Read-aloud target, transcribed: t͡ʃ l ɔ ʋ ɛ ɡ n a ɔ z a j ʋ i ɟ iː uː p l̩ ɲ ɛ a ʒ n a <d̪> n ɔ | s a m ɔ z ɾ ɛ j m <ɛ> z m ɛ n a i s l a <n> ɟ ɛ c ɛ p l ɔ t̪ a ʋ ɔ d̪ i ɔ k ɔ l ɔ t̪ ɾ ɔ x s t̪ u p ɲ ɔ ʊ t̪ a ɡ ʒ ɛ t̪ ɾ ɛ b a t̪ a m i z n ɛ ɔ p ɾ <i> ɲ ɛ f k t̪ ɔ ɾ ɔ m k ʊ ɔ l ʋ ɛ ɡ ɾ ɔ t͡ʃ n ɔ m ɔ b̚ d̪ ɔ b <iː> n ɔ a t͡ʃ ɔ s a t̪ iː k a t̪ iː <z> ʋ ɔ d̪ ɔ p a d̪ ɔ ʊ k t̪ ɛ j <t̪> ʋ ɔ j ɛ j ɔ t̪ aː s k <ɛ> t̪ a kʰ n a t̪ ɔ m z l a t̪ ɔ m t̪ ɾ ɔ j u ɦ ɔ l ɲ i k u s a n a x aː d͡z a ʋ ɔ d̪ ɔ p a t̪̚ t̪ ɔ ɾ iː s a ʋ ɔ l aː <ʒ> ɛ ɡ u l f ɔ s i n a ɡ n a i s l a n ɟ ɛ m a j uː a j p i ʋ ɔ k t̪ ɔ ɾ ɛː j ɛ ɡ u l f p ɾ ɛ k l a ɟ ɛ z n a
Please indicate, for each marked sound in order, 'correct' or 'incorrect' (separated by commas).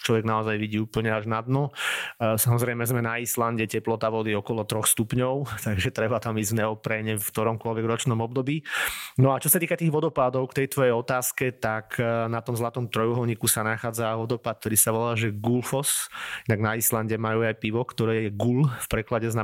correct, correct, correct, incorrect, correct, incorrect, correct, correct, correct